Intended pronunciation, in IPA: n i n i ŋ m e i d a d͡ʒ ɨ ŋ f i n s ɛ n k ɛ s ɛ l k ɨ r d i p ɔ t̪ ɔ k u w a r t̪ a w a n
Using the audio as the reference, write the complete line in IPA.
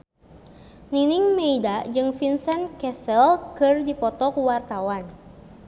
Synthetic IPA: n i n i ŋ m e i d a d͡ʒ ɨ ŋ f i n s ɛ n k ɛ s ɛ l k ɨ r d i p ɔ t̪ ɔ k u w a r t̪ a w a n